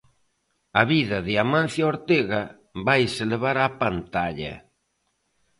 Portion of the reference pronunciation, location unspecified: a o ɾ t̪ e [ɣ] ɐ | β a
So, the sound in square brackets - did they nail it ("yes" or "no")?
yes